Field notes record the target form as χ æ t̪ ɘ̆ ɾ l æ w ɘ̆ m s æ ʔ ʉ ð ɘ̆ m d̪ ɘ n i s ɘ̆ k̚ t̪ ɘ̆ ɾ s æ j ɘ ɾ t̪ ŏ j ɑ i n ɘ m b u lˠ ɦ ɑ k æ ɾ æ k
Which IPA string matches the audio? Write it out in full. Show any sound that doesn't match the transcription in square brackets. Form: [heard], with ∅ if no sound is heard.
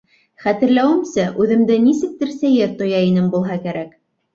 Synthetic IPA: χ æ t̪ ɘ̆ ɾ l æ w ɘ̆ m s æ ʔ ʉ ð ɘ̆ m d̪ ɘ n i s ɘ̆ k̚ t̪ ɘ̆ ɾ s æ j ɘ ɾ t̪ ŏ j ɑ i n ɘ m b u lˠ ɦ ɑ k æ ɾ æ k

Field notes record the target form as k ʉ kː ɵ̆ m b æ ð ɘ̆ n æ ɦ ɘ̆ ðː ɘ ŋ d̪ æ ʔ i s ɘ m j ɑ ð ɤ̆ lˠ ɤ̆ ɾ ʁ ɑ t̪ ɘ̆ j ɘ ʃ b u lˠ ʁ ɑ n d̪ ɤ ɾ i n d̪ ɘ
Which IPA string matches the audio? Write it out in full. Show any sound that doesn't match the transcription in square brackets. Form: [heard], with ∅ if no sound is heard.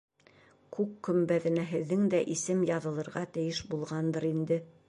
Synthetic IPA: k ʉ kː ɵ̆ m b æ ð ɘ̆ n æ ɦ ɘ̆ ðː ɘ ŋ d̪ æ ʔ i s ɘ m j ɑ ð ɤ̆ lˠ ɤ̆ ɾ ʁ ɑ t̪ ɘ̆ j ɘ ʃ b u lˠ ʁ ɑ n d̪ ɤ ɾ i n d̪ ɘ

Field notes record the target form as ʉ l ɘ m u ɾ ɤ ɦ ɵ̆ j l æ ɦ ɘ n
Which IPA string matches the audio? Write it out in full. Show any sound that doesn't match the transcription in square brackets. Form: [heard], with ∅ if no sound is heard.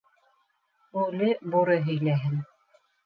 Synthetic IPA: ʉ l ɘ [b] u ɾ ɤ ɦ ɵ̆ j l æ ɦ ɘ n

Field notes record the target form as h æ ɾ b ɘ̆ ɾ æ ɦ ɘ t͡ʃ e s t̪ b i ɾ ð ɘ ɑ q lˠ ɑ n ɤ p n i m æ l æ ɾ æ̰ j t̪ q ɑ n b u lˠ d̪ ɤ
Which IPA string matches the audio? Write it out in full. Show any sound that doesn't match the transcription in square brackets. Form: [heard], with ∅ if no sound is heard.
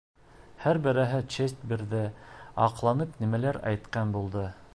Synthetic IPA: h æ ɾ b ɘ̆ ɾ æ ɦ ɘ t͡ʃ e s t̪ b i ɾ ð ɘ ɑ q lˠ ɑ n ɤ p n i m æ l æ ɾ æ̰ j t̪ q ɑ n b u lˠ d̪ ɤ

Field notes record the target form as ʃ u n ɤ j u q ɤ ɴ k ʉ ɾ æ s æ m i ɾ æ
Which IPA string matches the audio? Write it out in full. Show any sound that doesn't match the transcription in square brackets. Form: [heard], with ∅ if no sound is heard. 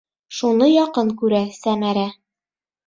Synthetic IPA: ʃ u n ɤ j [ɒ] q ɤ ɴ k ʉ ɾ æ s æ m [æ] ɾ æ

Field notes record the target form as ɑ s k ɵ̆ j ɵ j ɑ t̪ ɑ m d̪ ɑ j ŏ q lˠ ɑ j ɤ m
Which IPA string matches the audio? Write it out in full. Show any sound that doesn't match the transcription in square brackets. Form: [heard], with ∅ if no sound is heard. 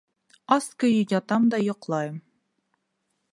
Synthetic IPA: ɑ s k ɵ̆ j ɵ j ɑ t̪ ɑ m d̪ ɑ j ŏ q lˠ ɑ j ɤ m

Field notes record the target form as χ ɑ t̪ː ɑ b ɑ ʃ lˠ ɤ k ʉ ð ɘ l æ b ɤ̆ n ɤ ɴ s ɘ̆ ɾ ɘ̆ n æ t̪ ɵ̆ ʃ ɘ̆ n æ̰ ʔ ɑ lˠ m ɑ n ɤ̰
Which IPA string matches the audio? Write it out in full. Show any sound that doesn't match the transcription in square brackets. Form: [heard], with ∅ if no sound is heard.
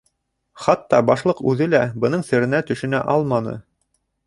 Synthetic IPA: χ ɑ t̪ː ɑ b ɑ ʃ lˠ ɤ [q] ʉ ð ɘ l æ b ɤ̆ n ɤ ɴ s ɘ̆ ɾ ɘ̆ n æ t̪ ɵ̆ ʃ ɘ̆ n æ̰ ʔ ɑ lˠ m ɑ n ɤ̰

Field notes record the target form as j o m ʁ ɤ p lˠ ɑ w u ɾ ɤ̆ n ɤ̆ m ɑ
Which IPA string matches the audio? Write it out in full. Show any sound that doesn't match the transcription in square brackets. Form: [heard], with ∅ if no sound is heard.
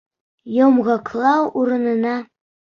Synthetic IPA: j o m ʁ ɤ [k] lˠ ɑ w u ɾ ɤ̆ n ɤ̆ [n] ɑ

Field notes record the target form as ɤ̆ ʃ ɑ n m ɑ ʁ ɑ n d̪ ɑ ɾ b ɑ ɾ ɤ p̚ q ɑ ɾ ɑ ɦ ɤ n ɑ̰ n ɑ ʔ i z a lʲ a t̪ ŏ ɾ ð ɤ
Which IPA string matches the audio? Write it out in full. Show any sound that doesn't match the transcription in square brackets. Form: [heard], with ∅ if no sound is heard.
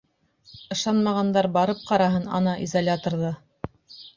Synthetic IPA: ɤ̆ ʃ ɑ n m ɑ ʁ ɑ n d̪ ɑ ɾ b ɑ ɾ ɤ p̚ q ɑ ɾ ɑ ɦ ɤ n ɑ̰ n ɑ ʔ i z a lʲ a t̪ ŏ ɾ ð ɤ

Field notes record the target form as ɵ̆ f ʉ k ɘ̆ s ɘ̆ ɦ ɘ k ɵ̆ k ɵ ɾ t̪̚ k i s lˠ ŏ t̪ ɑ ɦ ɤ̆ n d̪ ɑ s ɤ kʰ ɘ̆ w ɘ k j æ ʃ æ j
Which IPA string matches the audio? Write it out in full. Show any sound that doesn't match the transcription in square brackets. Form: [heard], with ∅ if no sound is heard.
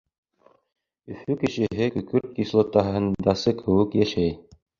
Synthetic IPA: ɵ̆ f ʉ k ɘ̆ [ʃ] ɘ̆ ɦ ɘ k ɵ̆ k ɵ ɾ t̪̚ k i s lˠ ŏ t̪ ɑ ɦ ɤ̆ n d̪ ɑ s ɤ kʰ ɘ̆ w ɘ k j æ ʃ æ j

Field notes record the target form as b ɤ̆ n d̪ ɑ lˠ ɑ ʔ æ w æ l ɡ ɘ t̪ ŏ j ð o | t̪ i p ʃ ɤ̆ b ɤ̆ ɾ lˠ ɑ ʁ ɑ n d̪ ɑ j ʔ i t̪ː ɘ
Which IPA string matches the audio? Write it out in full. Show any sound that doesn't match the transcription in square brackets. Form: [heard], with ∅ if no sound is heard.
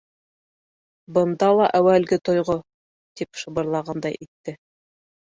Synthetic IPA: b ɤ̆ n d̪ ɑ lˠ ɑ ʔ æ w æ l ɡ ɘ t̪ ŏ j [ʁ] o | t̪ i p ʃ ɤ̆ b ɤ̆ ɾ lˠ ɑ ʁ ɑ n d̪ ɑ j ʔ i t̪ː ɘ

